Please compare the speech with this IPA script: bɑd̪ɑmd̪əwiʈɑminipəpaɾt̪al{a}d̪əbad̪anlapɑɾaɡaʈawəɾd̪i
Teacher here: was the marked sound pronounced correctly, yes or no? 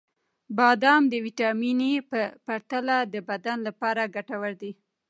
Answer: yes